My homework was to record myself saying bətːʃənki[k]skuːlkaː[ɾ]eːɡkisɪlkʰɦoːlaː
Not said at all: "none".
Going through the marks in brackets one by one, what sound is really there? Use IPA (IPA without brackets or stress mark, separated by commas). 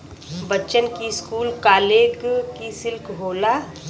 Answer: none, l